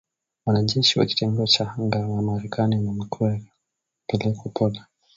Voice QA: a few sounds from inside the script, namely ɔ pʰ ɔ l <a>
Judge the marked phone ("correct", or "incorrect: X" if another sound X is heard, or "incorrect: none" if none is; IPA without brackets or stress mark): correct